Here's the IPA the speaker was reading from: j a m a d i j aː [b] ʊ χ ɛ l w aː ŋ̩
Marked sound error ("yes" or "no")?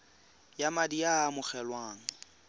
yes